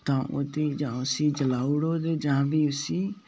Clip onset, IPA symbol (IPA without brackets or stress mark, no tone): t̪